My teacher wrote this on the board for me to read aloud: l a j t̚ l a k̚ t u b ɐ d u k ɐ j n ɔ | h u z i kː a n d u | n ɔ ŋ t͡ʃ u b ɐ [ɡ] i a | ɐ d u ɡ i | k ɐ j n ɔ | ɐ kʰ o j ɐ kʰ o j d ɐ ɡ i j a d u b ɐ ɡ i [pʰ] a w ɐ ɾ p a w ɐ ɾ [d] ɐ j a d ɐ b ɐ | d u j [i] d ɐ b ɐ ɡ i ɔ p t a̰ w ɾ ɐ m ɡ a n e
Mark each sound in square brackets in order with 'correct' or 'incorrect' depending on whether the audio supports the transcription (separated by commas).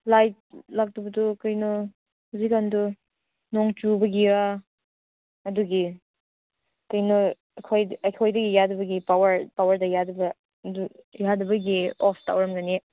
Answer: correct, incorrect, correct, incorrect